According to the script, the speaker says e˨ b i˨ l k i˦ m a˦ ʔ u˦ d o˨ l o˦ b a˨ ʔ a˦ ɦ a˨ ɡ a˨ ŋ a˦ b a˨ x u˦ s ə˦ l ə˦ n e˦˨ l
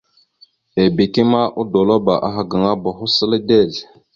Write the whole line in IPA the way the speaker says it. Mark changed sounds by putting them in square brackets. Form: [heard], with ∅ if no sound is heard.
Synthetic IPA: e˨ b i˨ [∅] k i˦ m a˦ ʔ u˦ d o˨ l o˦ b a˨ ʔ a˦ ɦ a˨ ɡ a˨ ŋ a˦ b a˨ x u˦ s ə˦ l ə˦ [d] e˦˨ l